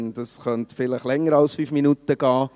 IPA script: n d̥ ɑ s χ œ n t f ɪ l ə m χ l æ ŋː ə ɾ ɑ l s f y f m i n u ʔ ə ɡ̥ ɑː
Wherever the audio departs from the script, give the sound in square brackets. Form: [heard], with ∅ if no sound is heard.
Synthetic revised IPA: n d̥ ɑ s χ œ n t f ɪ l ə [∅] χ l [ɛ] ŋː ə ɾ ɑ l s f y f m i n u [t] ə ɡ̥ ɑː